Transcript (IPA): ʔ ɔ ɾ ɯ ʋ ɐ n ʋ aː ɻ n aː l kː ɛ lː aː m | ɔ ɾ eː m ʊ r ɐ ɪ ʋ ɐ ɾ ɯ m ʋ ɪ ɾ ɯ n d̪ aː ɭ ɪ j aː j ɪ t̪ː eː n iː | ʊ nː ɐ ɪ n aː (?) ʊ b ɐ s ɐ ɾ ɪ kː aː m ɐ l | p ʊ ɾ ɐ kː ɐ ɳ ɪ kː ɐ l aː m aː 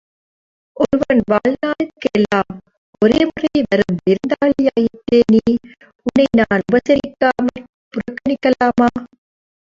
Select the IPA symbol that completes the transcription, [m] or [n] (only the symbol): n